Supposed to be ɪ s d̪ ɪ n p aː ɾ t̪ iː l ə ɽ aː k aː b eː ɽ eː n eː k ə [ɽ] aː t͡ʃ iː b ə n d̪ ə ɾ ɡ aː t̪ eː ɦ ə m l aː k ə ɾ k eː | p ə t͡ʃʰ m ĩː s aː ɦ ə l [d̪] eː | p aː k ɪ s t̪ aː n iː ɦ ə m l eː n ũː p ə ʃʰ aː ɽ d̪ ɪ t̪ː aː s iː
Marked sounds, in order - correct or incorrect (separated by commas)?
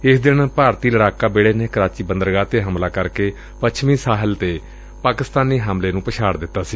incorrect, incorrect